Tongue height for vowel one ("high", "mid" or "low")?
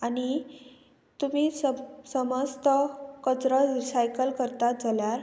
low